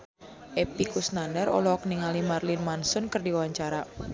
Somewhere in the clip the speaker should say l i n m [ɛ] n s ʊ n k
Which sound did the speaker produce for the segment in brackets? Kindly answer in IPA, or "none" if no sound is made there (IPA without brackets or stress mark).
a